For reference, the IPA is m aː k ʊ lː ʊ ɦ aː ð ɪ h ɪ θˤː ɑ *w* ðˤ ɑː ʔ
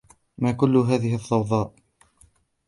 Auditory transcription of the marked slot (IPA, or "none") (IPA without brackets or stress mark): w